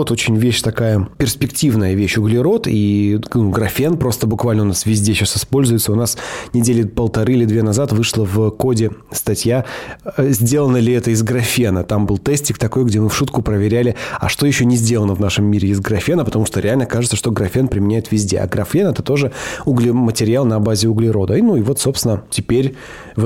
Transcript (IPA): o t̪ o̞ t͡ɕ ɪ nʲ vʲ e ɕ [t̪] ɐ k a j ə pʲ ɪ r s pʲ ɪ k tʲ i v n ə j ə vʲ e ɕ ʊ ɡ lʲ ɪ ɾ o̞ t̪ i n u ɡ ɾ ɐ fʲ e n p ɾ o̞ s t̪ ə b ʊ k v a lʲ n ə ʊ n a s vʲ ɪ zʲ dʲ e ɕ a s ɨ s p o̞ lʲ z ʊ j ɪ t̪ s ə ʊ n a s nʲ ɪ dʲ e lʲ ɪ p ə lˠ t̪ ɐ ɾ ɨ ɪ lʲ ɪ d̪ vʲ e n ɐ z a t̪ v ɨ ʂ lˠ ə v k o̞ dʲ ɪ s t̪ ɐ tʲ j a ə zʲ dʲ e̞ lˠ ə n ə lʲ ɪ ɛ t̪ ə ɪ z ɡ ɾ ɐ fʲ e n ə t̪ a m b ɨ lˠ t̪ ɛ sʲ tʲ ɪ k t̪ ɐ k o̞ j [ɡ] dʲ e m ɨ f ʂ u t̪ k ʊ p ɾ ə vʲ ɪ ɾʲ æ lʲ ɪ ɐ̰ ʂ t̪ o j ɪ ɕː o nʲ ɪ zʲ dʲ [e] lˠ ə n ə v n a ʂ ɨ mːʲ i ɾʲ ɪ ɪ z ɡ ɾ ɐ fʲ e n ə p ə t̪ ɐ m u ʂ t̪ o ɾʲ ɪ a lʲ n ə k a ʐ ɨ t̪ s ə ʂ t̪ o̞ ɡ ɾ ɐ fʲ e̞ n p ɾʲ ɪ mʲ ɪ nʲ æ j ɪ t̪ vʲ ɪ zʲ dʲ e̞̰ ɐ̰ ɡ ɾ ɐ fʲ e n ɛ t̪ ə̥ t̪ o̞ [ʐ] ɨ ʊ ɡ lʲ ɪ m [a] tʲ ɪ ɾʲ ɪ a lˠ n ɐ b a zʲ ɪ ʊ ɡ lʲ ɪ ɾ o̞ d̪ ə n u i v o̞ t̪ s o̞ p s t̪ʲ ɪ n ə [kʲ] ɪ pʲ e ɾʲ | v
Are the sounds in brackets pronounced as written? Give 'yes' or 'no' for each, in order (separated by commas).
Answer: yes, yes, yes, yes, no, no